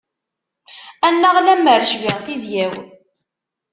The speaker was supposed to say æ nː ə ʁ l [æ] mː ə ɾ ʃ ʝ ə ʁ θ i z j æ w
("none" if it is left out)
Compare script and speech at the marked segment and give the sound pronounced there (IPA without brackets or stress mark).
æ